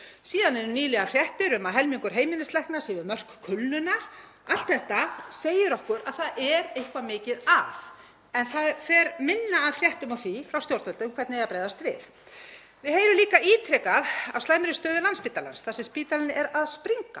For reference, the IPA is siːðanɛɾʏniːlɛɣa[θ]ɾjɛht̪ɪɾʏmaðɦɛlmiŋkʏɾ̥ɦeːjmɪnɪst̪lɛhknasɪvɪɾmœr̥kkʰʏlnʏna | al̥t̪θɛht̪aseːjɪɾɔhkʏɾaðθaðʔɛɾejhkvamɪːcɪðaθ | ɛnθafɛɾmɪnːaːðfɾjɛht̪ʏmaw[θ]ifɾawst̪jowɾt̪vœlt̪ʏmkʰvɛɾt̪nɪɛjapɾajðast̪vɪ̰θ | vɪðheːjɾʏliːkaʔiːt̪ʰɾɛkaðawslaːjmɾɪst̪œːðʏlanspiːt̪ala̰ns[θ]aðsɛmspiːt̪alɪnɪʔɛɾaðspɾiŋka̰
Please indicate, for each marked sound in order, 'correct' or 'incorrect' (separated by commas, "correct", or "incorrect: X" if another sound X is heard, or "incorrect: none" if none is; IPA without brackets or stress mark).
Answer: incorrect: f, correct, correct